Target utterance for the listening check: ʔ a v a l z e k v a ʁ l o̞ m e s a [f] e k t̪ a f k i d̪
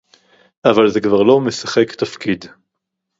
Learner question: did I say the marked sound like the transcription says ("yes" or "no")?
no